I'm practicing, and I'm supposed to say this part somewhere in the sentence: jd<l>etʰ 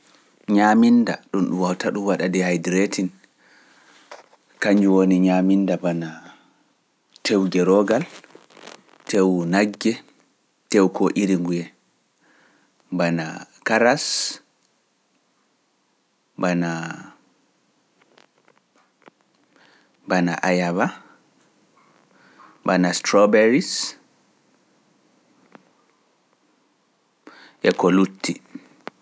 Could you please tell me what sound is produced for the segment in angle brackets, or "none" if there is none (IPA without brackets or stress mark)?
ɾ